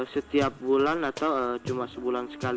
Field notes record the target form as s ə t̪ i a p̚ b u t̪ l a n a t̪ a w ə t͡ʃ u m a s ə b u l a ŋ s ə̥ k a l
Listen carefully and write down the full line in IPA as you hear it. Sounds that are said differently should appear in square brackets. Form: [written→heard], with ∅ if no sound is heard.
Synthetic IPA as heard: s ə t̪ i a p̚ b u [t̪→∅] l a n a t̪ a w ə t͡ʃ u m a s ə b u l a [ŋ→n] s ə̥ k a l

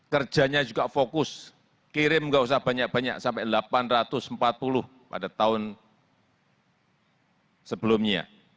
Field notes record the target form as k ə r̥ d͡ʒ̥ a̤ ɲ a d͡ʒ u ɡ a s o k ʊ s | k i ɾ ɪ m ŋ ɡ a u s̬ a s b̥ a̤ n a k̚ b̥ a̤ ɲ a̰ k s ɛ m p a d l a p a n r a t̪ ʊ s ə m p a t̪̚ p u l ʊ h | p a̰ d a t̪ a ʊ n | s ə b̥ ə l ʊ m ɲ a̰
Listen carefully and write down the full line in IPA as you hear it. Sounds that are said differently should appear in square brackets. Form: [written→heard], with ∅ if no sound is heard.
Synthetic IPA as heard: k ə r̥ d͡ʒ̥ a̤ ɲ a d͡ʒ u ɡ a [s→f] o k ʊ s | k i ɾ ɪ m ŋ ɡ a u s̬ a [s→h] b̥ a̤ [n→ɲ] a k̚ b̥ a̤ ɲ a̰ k s [ɛ→a] m p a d l a p a n r a t̪ ʊ s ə m p a t̪̚ p u l ʊ h | p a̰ d a t̪ a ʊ n | s ə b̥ ə l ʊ m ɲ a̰

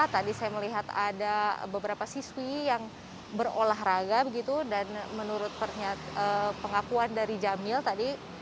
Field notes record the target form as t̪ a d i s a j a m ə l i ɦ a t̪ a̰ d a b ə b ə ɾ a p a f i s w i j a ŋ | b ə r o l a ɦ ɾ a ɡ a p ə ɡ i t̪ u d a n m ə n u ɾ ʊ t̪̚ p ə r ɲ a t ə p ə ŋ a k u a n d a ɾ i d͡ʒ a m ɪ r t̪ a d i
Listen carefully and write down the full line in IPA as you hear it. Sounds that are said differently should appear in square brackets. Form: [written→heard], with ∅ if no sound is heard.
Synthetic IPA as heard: t̪ a d i s a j a m ə l i ɦ a t̪ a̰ d a b ə b ə ɾ a p a [f→s] i s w i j a ŋ | b ə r o l a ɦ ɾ a ɡ a [p→b] ə ɡ i t̪ u d a n m ə n u ɾ ʊ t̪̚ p ə r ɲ a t ə p ə ŋ a k u a n d a ɾ i d͡ʒ a m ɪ [r→l] t̪ a d i

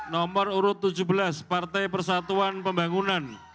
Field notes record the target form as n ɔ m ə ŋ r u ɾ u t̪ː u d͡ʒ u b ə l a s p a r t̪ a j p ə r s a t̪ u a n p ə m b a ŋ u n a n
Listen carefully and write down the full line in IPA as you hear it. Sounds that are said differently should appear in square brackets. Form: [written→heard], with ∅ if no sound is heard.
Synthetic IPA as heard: n ɔ m ə [ŋ→∅] r u ɾ [u→ʊ] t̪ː u d͡ʒ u b ə l a s p a r t̪ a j p ə r s a t̪ u a n p ə m b a ŋ u n a n

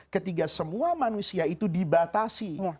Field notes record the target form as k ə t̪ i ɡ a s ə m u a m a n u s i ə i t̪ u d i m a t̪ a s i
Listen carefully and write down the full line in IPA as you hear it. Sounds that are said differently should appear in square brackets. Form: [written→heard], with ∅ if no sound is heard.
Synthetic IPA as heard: k ə t̪ i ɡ a s ə m u a m a n u s i [ə→a] i t̪ u d i [m→b] a t̪ a s i

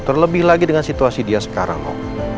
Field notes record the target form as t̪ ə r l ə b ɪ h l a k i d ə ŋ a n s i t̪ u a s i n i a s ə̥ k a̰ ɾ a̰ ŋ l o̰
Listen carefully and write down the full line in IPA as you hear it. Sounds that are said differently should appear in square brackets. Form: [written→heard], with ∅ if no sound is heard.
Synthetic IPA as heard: t̪ ə r l ə b ɪ h l a [k→ɡ] i d ə ŋ a n s i t̪ u a s i [n→d] i a s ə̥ k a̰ ɾ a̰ ŋ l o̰

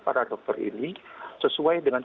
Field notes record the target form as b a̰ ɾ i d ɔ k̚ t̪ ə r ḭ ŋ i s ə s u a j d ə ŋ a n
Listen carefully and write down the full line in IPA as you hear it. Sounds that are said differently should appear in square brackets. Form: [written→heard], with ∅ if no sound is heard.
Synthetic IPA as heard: [b→p] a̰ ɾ [i→a] d ɔ k̚ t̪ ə r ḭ [ŋ→n] i s ə s u a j d ə ŋ a n

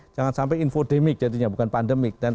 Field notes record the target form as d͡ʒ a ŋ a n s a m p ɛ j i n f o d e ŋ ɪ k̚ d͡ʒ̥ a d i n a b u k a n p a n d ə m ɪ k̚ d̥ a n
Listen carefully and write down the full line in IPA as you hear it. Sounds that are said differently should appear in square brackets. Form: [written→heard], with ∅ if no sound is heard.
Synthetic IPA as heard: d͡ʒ a ŋ a n s a m p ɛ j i n f o d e [ŋ→m] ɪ k̚ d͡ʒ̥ a d i [n→ɲ] a b u k a n p a n d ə m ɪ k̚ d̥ a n

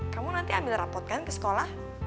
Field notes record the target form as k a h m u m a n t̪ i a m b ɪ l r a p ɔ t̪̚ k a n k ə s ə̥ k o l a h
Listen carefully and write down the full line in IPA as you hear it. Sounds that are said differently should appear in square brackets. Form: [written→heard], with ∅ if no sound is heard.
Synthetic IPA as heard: k a [h→∅] m u [m→n] a n t̪ i a m b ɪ l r a p ɔ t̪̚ k a n k ə s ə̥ k o l a h

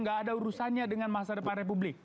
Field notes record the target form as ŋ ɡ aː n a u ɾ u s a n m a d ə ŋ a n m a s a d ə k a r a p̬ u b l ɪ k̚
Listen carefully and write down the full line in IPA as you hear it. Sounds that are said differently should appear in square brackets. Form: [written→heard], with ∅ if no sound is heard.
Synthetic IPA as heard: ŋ ɡ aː [n→d] a u ɾ u s a n [m→ɲ] a d ə ŋ a n m a s a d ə [k→p] a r [a→e] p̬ u b l ɪ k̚

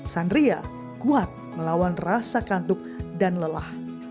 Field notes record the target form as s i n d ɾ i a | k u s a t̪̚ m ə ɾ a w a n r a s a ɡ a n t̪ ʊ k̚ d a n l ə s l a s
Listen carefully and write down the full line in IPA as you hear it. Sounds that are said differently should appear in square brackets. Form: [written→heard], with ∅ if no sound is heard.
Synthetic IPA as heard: s [i→a] n d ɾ i a | k u [s→∅] a t̪̚ m ə [ɾ→l] a w a n r a s a [ɡ→k] a n t̪ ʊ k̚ d a n l ə [s→∅] l a [s→h]

